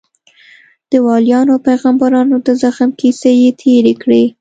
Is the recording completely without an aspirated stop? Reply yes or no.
no